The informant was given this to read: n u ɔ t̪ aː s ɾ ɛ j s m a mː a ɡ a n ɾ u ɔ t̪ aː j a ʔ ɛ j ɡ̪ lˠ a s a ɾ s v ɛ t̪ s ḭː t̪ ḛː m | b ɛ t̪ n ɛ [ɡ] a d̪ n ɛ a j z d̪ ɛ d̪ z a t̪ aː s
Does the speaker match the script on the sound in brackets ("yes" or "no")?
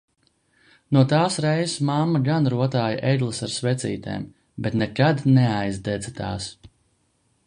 no